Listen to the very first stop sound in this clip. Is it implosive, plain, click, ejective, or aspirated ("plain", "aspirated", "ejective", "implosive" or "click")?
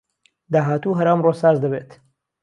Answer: plain